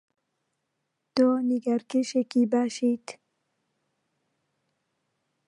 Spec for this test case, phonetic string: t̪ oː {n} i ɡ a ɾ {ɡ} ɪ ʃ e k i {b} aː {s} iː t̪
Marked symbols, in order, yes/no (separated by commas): yes, no, yes, no